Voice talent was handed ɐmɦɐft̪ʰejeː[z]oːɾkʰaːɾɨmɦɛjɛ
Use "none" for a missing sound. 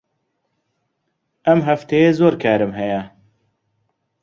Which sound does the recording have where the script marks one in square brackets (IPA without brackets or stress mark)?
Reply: z